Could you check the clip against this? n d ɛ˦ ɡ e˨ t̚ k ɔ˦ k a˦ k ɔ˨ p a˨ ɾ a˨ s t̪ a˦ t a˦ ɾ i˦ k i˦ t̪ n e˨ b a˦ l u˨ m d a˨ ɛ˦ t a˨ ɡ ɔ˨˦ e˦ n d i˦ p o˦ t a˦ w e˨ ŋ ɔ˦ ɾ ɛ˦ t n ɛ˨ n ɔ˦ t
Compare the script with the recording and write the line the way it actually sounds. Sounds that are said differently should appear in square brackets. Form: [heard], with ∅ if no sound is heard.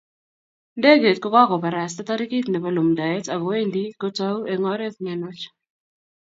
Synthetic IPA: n d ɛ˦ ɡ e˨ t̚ k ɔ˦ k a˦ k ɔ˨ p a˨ ɾ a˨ s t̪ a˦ t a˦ ɾ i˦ k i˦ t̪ n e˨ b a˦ l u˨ m d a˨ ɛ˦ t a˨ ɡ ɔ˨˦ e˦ n d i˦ [k] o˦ t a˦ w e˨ ŋ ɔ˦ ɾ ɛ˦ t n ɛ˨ n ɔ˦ [t͡ʃ]